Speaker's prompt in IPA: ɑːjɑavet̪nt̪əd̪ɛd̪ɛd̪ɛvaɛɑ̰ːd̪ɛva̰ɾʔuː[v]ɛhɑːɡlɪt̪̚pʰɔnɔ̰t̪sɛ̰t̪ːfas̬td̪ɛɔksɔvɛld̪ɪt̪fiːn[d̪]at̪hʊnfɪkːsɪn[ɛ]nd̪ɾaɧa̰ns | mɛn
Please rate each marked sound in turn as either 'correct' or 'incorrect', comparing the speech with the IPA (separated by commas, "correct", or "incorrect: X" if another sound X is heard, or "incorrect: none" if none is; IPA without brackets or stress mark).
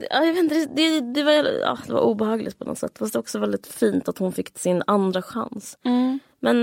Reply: incorrect: b, incorrect: t̪, incorrect: a